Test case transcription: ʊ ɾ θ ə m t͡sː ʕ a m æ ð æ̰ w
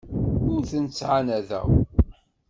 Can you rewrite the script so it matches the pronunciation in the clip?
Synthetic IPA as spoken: ʊ ɾ θ ə n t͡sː ʕ a n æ ð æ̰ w